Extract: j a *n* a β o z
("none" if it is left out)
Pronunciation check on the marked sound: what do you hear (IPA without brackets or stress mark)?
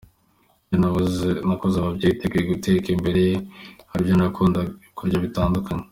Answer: n